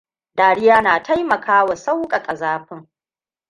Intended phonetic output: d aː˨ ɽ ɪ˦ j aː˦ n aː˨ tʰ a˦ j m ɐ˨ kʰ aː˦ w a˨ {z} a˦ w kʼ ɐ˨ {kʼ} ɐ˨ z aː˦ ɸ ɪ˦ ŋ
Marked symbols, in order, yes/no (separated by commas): no, yes